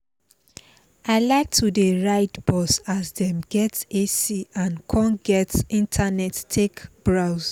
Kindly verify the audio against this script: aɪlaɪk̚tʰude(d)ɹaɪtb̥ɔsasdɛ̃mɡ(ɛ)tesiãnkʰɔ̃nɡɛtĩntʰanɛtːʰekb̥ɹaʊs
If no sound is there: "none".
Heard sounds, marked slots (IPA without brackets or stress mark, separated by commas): none, ɛ